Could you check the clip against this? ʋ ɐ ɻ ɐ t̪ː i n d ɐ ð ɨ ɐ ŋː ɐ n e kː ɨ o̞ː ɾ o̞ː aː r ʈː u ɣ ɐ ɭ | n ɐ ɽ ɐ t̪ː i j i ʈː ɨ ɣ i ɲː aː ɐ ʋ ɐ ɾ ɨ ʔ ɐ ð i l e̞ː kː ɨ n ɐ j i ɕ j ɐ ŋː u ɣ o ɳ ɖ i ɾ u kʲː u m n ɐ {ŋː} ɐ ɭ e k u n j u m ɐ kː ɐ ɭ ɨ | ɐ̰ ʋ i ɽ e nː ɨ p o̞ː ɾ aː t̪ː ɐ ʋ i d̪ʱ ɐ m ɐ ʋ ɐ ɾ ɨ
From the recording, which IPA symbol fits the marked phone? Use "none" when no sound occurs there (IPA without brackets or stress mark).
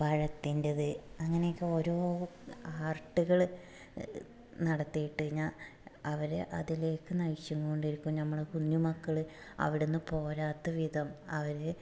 mː